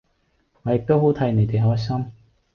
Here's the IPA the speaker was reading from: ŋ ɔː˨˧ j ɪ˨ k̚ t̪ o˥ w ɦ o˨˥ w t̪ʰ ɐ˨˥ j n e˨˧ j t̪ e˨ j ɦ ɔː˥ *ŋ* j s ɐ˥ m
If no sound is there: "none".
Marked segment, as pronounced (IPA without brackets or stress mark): none